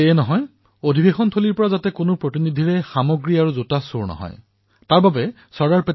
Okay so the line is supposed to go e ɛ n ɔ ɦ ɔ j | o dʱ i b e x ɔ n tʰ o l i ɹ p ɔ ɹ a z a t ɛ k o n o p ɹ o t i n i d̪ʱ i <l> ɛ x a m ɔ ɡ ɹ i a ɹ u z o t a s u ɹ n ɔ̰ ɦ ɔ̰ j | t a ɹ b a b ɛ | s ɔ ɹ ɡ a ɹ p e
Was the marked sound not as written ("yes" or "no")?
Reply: yes